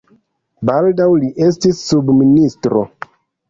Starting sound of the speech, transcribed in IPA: b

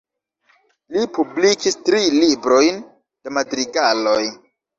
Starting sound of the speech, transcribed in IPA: l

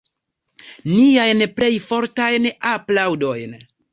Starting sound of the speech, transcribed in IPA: n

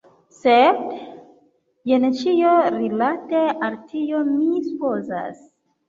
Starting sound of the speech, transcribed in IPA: s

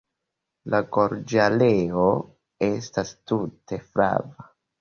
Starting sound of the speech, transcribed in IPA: l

